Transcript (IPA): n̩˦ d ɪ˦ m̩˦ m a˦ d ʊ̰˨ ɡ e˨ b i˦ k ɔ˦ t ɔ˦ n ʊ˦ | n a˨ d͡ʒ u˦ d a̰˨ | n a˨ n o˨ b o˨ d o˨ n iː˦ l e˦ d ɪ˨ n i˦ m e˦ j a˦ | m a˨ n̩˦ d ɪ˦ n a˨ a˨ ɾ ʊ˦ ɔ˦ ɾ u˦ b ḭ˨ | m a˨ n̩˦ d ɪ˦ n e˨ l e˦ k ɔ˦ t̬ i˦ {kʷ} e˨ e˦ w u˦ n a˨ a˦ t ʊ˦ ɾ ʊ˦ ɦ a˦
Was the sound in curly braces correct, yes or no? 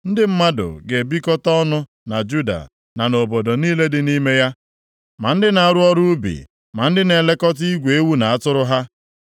no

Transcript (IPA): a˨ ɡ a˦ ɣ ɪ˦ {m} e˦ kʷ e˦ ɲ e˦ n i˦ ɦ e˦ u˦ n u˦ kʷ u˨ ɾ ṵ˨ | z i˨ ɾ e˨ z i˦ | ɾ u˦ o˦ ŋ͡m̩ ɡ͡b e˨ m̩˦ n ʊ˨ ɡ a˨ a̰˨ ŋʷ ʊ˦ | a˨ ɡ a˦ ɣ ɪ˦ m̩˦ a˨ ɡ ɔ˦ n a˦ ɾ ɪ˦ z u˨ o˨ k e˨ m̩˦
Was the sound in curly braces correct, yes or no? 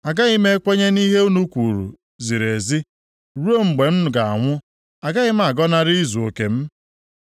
yes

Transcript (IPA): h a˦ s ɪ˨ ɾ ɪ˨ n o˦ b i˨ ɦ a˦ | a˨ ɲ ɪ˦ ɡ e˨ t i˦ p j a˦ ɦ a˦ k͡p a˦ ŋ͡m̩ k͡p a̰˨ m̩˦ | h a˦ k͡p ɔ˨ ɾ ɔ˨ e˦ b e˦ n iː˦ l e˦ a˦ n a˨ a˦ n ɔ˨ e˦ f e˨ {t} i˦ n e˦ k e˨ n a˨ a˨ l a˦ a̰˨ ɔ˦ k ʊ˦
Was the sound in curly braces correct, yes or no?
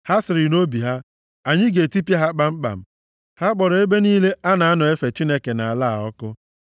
no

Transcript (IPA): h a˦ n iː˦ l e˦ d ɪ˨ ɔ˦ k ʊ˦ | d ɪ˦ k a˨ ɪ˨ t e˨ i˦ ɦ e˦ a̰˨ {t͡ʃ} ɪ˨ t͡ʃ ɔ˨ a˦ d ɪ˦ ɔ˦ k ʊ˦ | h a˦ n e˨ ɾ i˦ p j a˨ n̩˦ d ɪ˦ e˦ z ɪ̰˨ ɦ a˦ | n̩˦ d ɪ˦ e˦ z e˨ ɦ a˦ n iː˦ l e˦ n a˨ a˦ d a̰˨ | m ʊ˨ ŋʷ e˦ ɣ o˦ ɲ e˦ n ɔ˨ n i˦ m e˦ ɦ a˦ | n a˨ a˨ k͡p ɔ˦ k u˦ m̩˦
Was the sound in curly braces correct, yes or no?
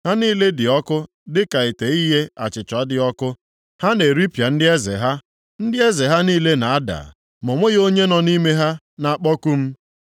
yes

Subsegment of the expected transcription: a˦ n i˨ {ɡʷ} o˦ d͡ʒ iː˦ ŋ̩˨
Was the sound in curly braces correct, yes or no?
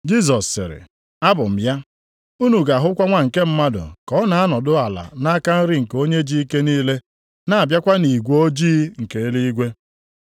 yes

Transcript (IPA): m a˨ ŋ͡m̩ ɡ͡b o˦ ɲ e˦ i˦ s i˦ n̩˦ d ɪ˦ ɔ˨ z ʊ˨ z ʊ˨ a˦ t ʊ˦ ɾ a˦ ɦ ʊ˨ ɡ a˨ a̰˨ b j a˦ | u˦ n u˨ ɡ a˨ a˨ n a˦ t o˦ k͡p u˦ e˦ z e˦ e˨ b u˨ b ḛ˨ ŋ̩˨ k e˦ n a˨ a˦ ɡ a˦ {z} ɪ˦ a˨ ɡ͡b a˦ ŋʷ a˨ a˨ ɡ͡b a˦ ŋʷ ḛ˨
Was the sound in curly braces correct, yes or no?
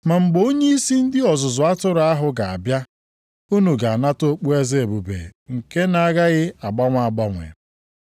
no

